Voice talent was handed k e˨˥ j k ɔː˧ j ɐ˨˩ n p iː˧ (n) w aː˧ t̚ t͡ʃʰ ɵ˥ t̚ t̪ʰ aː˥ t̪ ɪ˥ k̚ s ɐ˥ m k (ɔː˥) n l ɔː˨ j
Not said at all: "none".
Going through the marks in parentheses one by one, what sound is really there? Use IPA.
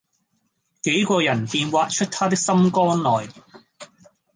n, ɔː˥

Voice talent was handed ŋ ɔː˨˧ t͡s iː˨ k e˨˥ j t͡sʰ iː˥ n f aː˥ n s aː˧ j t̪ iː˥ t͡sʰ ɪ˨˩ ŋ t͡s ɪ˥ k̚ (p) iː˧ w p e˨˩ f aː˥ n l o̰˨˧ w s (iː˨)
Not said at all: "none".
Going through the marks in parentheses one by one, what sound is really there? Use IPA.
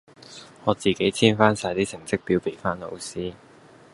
p, iː˥

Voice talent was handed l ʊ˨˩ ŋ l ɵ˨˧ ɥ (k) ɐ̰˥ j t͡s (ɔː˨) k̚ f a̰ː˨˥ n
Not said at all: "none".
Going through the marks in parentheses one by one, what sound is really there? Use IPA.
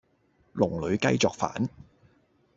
k, ɔː˨

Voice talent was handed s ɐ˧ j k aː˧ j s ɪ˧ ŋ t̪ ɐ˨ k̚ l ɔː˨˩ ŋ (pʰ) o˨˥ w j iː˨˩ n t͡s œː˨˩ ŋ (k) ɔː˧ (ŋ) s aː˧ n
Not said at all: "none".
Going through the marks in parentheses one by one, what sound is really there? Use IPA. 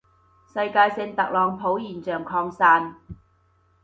pʰ, kʰ, ŋ

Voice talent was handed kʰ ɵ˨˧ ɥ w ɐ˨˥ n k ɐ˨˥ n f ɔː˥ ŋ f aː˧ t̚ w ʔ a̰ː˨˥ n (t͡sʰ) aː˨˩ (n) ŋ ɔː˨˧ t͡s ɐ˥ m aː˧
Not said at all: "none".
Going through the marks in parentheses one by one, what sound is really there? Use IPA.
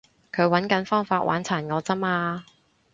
t͡sʰ, n

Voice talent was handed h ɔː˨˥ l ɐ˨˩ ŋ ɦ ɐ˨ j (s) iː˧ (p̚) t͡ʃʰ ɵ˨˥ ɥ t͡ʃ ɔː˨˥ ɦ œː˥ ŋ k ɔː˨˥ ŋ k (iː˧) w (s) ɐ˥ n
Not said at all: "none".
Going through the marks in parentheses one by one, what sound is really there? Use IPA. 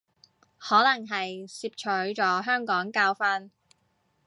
s, p̚, aː˧, f

